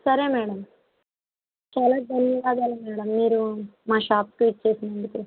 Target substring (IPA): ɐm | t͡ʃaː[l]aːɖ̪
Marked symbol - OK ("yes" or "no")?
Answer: yes